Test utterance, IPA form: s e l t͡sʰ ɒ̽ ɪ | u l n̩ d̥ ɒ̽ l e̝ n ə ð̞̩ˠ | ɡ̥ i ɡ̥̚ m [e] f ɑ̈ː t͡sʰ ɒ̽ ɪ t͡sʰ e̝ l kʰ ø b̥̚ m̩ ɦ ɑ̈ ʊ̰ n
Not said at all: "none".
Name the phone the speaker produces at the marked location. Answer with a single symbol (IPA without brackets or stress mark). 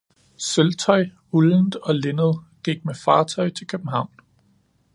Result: e